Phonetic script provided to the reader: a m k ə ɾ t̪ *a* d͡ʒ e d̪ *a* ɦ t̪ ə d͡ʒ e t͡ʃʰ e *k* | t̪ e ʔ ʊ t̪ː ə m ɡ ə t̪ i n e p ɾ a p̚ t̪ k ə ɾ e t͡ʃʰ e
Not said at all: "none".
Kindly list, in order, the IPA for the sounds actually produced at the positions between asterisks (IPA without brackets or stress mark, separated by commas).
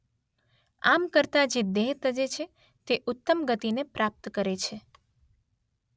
a, e, none